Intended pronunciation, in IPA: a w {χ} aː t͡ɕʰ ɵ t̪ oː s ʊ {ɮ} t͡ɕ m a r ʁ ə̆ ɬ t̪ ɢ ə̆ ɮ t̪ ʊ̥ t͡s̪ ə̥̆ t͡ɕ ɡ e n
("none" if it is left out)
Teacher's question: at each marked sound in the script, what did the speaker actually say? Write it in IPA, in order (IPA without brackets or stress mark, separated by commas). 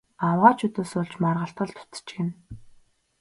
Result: ʁ, ɮ